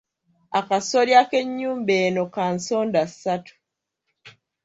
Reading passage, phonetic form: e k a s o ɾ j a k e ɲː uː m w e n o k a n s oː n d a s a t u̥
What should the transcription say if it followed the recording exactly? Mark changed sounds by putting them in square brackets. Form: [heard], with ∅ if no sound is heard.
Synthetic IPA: [a] k a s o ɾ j a k e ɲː uː m [b] e n o k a n s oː n d a s a t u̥